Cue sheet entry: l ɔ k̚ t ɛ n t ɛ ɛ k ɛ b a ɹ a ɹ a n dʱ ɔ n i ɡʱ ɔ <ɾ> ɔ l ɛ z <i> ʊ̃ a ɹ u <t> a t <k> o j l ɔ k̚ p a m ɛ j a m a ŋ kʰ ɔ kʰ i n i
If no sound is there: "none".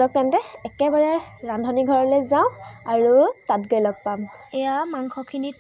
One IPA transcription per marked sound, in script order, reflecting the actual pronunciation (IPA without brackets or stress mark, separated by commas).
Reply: ɹ, a, t, ɡ